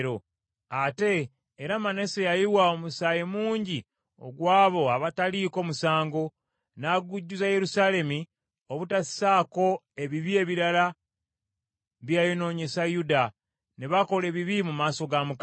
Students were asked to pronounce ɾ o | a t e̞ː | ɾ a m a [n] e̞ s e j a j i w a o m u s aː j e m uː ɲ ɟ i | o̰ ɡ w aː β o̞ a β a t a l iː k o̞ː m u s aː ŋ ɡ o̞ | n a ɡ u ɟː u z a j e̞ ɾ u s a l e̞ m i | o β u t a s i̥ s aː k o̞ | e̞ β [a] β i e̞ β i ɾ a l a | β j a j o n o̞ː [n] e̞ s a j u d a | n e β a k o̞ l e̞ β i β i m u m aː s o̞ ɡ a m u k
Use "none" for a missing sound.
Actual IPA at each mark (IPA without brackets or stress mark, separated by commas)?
n, i, ɲ